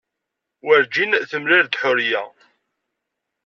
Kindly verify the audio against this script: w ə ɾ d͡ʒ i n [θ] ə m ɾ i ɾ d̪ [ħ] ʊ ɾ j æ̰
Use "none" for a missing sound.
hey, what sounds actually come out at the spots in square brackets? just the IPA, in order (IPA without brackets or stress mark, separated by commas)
θ, ħ